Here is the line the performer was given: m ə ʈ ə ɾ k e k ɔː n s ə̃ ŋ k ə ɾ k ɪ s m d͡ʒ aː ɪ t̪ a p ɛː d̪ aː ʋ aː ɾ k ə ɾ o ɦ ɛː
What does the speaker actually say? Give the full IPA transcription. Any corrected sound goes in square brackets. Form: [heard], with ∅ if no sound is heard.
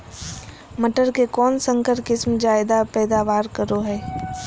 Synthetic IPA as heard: m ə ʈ ə ɾ k e k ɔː n s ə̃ ŋ k ə ɾ k ɪ s m d͡ʒ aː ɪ [d̪] a p ɛː d̪ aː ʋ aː ɾ k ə ɾ o ɦ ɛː